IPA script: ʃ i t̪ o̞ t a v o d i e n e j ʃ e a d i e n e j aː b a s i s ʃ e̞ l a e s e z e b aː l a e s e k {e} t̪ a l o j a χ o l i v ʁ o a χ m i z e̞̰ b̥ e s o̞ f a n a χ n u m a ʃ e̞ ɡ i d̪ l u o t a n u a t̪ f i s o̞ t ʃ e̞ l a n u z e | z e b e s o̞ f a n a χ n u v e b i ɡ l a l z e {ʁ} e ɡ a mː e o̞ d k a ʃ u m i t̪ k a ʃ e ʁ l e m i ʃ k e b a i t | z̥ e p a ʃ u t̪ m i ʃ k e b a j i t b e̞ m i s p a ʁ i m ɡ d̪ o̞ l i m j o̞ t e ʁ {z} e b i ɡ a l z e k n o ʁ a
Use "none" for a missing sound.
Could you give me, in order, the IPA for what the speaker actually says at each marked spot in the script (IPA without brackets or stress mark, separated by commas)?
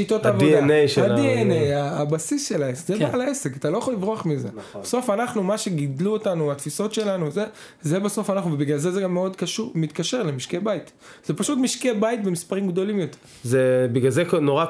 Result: a, z, z